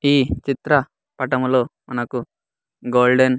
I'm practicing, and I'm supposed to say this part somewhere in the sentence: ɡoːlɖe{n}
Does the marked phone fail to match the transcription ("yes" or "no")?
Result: no